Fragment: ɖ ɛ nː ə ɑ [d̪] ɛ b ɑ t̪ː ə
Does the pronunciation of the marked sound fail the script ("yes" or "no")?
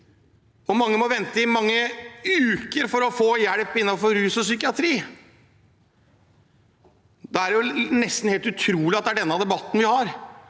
no